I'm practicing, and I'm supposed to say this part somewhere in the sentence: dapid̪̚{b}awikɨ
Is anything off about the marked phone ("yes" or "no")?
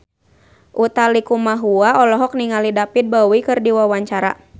no